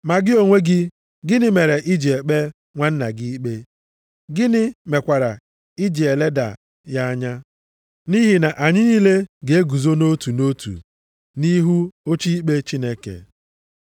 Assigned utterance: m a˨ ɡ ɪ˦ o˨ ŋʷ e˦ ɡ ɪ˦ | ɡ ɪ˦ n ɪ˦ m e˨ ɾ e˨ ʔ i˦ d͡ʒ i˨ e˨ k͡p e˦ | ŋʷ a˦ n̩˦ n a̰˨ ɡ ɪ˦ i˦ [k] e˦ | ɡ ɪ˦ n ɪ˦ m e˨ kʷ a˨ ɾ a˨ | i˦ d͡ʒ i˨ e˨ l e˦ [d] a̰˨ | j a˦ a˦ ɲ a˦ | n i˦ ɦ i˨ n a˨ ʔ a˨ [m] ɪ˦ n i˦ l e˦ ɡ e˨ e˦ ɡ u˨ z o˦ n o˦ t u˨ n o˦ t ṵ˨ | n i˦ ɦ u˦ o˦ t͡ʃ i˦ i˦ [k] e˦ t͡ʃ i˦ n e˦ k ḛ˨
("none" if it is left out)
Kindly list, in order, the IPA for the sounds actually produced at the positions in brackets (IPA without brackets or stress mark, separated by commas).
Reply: k͡p, d, ɲ, k͡p